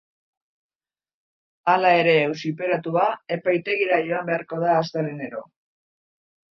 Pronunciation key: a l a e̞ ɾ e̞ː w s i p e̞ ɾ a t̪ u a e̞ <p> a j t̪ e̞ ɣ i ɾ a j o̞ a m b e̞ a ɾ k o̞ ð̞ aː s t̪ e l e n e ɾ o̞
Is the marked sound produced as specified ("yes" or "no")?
yes